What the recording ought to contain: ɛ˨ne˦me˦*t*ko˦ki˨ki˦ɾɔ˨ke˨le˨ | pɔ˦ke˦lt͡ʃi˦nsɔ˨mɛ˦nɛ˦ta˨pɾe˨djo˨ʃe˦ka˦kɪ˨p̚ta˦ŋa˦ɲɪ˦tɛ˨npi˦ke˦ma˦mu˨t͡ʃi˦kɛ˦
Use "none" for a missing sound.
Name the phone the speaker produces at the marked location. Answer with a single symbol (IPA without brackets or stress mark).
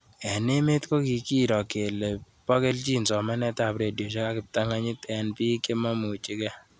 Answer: t